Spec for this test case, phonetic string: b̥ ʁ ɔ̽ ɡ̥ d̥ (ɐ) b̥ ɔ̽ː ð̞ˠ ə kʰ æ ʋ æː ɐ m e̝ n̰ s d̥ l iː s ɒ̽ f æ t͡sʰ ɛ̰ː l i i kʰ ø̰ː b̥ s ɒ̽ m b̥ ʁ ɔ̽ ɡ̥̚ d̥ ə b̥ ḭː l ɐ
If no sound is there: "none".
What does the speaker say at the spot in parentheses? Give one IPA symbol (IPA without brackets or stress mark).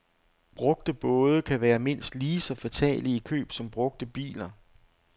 ə